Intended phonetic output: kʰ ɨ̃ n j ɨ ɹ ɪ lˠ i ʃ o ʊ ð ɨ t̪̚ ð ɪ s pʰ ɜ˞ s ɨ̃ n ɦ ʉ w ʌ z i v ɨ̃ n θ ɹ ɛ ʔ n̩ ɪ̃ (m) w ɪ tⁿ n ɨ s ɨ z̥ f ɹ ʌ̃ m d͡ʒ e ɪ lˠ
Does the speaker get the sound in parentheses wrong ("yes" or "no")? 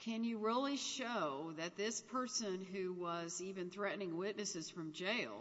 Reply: yes